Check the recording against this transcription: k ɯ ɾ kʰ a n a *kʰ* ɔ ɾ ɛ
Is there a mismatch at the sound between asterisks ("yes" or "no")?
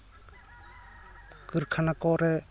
yes